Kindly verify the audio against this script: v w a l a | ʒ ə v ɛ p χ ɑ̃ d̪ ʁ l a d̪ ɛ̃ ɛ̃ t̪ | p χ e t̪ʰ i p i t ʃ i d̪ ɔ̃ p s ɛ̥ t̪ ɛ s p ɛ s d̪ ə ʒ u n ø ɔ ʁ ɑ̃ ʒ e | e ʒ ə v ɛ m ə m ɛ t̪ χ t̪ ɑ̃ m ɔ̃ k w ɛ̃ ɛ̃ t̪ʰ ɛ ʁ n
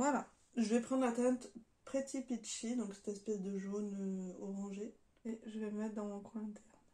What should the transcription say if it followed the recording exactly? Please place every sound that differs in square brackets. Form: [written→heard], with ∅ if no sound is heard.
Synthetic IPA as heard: v w a l a | ʒ ə v ɛ p χ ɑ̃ d̪ ʁ l a [d̪→t̪] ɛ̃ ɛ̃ t̪ | p χ e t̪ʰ i p i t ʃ i d̪ ɔ̃ [p→k] s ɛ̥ t̪ ɛ s p ɛ s d̪ ə ʒ [u→o] n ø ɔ ʁ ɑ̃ ʒ e | e ʒ ə v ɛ m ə m ɛ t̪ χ [t̪→d̪] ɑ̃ m ɔ̃ k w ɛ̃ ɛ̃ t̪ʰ ɛ ʁ n